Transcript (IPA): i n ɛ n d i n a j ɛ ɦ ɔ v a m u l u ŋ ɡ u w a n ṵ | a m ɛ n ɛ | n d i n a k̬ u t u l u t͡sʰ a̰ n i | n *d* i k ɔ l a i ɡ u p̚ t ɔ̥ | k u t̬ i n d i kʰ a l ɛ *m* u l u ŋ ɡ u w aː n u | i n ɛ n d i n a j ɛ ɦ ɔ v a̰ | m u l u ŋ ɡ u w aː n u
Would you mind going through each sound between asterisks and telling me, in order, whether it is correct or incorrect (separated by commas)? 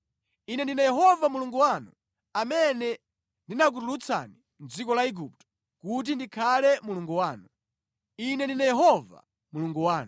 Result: incorrect, correct